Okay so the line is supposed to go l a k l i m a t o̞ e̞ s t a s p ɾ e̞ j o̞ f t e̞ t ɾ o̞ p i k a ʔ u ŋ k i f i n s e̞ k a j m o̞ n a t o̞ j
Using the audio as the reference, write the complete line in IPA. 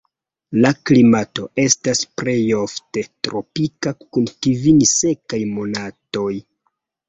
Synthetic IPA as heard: l a k l i m a t o̞ e̞ s t a s p ɾ e̞ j o̞ f t e̞ t ɾ o̞ p i k a k u n k i v i n s e̞ k a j m o̞ n a t o̞ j